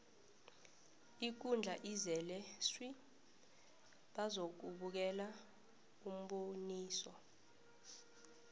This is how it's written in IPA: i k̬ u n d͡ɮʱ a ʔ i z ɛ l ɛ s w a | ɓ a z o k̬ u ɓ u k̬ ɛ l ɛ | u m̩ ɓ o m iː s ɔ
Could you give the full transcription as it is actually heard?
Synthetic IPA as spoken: i k̬ u n d͡ɮʱ a ʔ i z ɛ l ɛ s w i | ɓ a z o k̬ u ɓ u k̬ ɛ l a | u m̩ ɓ o n iː s ɔ